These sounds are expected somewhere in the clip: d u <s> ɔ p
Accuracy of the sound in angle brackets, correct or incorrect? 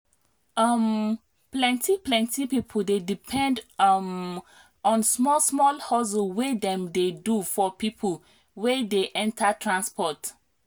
incorrect